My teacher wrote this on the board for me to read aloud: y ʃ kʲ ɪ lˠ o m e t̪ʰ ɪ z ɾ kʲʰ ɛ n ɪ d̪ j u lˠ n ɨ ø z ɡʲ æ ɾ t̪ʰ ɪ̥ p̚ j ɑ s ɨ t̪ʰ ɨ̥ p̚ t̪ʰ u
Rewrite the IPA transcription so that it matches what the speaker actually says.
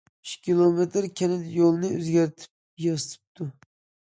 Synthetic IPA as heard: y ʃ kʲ i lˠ o m e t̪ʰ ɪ ɾ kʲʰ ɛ n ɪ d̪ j o lˠ n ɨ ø z ɡʲ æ ɾ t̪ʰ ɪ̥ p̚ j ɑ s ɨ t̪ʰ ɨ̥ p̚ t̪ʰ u